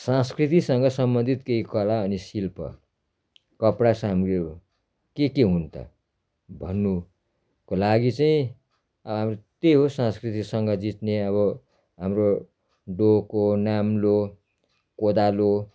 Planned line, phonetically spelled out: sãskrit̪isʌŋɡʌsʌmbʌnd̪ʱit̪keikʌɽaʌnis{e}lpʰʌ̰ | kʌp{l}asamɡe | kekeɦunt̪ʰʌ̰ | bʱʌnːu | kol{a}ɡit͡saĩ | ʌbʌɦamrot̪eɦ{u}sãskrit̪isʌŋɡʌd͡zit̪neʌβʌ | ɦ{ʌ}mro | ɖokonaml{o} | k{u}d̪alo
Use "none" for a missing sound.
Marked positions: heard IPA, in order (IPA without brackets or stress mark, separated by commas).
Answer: i, ɽ, a, o, a, o, o